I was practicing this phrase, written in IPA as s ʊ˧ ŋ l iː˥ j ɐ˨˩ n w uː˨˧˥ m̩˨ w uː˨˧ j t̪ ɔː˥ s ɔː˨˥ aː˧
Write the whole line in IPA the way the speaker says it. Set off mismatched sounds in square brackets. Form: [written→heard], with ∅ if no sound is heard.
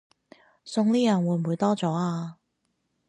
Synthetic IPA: s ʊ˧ ŋ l iː˥ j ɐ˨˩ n w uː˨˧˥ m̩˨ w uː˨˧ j t̪ ɔː˥ [s→t͡s] ɔː˨˥ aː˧